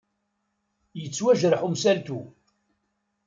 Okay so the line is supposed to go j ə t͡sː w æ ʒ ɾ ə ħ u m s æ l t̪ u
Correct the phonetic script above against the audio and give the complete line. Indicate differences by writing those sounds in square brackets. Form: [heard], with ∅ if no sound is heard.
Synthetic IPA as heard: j ə t͡sː w æ ʒ ɾ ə ħ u m s æ l t̪ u